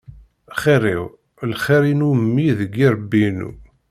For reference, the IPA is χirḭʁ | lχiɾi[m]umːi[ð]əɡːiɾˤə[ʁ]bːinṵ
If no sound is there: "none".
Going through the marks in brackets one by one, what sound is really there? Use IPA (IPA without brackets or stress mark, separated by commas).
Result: n, ð, none